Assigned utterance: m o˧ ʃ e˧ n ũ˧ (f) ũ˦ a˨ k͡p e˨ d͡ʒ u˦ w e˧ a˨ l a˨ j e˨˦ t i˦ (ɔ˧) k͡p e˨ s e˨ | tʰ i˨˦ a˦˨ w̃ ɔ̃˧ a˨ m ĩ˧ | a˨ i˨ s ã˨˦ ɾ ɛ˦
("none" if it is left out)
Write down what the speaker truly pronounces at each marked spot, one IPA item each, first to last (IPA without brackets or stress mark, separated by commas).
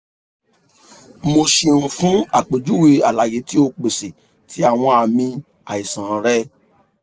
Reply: f, o˧